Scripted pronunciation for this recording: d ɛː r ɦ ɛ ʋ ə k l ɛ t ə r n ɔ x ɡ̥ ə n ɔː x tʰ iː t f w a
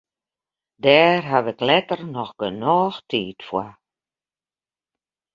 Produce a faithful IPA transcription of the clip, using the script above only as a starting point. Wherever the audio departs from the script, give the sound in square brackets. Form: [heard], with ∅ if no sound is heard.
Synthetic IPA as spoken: d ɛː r ɦ [a] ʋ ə k l ɛ t ə r n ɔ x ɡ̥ ə n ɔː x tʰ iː t f w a